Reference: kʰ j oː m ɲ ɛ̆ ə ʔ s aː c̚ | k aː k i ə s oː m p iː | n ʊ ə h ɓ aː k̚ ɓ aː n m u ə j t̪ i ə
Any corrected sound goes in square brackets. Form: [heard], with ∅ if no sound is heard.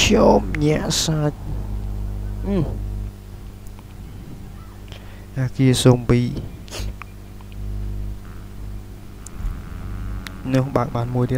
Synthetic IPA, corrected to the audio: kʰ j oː m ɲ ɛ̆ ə ʔ s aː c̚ | [ʔ] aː k i ə s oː m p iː | n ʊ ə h ɓ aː k̚ ɓ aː n m u ə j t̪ i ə